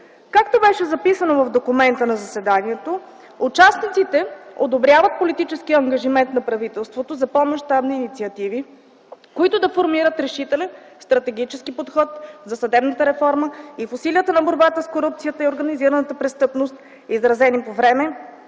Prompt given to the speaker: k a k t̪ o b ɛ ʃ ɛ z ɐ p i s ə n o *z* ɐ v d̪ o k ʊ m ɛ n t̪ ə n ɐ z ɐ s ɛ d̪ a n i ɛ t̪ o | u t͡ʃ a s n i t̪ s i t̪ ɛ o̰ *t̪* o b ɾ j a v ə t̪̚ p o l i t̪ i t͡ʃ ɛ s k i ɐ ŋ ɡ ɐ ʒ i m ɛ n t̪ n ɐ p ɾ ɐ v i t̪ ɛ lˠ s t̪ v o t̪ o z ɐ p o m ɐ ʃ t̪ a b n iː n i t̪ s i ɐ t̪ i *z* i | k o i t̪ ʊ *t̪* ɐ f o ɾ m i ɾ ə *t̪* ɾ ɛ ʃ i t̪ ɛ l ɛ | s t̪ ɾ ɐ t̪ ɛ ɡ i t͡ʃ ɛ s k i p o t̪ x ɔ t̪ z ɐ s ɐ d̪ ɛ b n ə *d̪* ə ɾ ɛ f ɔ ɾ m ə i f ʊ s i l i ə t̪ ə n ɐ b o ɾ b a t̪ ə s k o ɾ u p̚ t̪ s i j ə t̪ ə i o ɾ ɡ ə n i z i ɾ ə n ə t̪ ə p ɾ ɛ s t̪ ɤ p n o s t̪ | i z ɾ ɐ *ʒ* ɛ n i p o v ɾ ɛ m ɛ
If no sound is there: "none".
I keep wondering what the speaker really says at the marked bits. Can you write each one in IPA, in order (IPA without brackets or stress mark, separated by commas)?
v, d̪, v, d̪, t̪, t̪, z